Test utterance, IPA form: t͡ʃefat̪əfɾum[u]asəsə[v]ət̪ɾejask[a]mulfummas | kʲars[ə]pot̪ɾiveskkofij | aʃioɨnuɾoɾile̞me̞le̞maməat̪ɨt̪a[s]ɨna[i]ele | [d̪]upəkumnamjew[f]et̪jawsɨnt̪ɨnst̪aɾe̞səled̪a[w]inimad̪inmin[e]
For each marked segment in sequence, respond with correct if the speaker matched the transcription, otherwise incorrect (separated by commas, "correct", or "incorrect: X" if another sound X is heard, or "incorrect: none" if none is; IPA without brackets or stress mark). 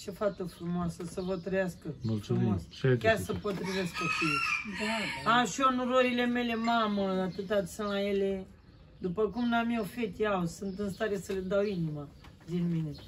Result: incorrect: o, correct, incorrect: ə, correct, correct, incorrect: j, correct, correct, correct, correct